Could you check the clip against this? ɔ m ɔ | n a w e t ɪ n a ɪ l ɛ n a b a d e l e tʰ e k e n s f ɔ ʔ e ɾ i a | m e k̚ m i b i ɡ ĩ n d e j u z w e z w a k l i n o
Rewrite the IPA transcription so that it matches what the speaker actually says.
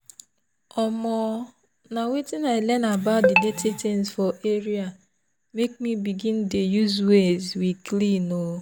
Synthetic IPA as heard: ɔ m ɔ | n a w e t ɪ n a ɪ l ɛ n a b a d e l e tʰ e t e n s f ɔ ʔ e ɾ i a | m e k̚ m i b i ɡ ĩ n d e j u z w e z w i k l i n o